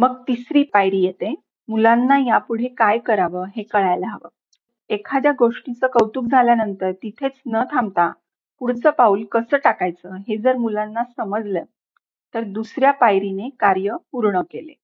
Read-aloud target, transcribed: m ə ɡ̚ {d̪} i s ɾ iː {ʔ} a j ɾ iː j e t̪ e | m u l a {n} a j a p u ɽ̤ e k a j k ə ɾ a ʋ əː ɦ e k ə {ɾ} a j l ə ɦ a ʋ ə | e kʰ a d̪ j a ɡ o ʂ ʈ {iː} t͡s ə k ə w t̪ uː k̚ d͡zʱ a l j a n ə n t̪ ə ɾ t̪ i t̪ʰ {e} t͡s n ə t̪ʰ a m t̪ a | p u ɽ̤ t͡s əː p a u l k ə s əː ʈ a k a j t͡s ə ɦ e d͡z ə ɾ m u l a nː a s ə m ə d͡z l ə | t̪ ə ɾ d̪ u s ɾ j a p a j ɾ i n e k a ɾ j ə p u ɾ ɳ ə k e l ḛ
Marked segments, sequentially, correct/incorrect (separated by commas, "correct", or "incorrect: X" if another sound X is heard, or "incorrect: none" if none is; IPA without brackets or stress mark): incorrect: t̪, incorrect: p, incorrect: nː, incorrect: ɭ, incorrect: i, correct